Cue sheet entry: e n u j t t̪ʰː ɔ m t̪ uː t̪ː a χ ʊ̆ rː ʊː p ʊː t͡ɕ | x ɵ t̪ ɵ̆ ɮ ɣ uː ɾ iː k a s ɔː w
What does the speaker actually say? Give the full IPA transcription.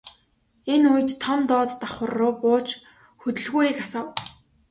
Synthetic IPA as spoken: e n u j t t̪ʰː ɔ m t̪ ɔː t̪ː a χ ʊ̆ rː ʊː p ʊː t͡ɕ | x ɵ t̪ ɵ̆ ɮ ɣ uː ɾ iː k a s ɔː w